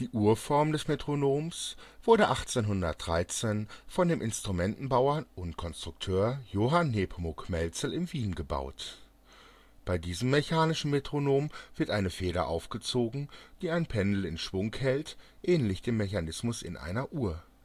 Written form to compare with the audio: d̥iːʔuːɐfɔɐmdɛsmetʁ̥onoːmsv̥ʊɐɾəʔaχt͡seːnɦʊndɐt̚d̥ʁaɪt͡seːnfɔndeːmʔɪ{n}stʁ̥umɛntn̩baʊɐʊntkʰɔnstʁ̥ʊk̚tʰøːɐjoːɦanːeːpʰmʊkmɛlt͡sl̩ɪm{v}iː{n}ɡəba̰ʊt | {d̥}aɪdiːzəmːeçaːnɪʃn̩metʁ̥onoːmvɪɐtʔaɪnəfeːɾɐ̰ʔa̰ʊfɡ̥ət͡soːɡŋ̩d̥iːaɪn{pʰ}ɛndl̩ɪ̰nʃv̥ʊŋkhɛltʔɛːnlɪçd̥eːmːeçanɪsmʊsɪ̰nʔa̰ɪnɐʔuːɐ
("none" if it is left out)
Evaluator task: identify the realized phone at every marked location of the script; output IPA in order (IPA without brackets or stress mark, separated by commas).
n, v, n, b̥, pʰ